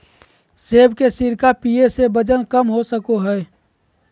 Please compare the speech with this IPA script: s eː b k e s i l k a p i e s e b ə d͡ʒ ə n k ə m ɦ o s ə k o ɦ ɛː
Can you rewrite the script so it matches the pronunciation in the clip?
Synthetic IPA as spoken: s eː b k e s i ɾ k a p i e s e b ə d͡ʒ ə n k ə m ɦ o s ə k o ɦ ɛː